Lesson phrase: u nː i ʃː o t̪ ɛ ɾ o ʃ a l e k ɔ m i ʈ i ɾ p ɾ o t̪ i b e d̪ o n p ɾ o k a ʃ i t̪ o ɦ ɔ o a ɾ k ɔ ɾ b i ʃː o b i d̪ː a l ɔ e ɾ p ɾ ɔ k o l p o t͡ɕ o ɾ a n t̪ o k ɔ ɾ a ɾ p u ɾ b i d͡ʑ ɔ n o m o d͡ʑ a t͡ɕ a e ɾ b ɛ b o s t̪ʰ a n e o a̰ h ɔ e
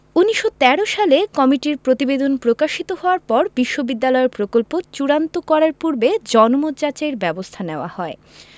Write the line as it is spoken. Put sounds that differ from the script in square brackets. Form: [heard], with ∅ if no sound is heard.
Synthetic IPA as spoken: u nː i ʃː o t̪ ɛ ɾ o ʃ a l e k ɔ m i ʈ i ɾ p ɾ o t̪ i b e d̪ o n p ɾ o k a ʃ i t̪ o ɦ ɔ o a ɾ [p] ɔ ɾ b i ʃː o b i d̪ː a l ɔ e ɾ p ɾ [o] k o l p o t͡ɕ [u] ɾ a n t̪ o k ɔ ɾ a ɾ p u ɾ b [e] d͡ʑ ɔ n o m o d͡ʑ a t͡ɕ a e ɾ b ɛ b o s t̪ʰ a n e o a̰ h ɔ e